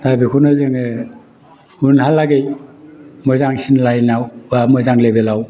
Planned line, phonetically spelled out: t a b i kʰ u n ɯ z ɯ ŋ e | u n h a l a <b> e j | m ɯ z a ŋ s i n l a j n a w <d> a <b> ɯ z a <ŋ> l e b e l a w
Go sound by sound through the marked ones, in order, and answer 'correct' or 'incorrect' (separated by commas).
incorrect, incorrect, incorrect, correct